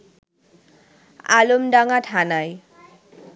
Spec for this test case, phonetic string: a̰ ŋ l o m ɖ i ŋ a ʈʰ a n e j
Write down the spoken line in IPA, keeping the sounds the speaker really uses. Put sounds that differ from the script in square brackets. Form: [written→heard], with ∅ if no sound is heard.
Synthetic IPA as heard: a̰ [ŋ→∅] l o m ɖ [i→a] ŋ a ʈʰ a n [e→a] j